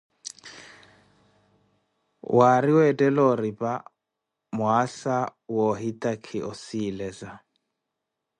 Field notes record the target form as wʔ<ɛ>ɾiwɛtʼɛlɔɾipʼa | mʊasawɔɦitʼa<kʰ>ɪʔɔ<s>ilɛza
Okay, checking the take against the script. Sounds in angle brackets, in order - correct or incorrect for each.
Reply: incorrect: a, correct, correct

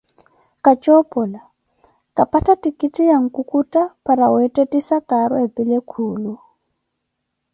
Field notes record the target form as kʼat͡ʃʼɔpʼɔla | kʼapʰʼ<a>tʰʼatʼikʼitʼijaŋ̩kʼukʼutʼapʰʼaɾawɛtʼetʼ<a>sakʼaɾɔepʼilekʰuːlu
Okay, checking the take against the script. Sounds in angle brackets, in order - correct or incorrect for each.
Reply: correct, incorrect: i

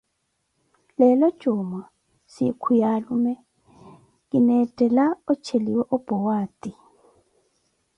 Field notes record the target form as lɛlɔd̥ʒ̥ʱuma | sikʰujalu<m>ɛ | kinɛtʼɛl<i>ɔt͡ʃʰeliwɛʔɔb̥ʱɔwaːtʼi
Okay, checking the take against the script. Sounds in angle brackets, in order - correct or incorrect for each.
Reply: correct, incorrect: a

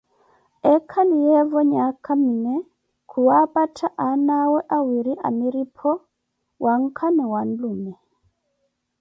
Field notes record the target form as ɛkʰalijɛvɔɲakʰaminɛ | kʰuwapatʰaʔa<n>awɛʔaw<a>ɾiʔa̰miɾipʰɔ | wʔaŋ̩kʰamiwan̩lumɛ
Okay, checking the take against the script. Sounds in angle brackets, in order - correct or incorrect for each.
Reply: correct, incorrect: i

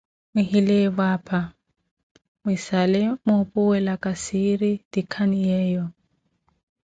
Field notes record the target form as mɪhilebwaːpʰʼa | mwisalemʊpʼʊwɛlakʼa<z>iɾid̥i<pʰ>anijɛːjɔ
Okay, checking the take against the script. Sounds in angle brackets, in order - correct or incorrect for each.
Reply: incorrect: s, incorrect: kʰ

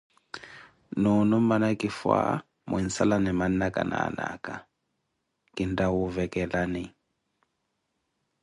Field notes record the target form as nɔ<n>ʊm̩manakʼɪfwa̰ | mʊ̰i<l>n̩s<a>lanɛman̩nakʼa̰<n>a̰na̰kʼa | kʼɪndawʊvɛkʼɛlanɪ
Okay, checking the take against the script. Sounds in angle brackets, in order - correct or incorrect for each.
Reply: correct, incorrect: none, correct, correct

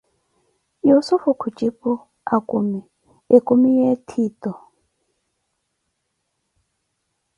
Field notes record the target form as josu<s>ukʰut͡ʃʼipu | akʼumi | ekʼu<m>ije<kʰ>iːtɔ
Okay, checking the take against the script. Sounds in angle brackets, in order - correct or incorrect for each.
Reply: incorrect: f, correct, incorrect: tʰ

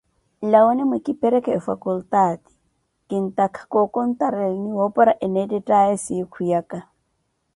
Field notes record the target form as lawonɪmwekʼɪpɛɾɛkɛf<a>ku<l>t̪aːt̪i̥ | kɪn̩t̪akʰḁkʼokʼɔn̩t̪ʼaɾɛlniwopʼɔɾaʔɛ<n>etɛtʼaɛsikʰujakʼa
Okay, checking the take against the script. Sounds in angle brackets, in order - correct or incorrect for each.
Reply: correct, correct, correct

